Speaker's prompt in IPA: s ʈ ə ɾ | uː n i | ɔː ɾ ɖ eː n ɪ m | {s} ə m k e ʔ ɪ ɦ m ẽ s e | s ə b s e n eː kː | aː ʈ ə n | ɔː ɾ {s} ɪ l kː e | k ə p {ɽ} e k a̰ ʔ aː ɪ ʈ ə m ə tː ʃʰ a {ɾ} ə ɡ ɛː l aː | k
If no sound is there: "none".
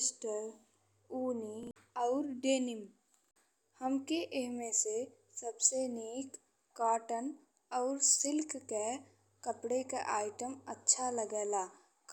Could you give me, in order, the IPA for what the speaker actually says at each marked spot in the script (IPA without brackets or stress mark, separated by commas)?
h, s, ɽ, l